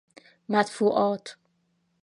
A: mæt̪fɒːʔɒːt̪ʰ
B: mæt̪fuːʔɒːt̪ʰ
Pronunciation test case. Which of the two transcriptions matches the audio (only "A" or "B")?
B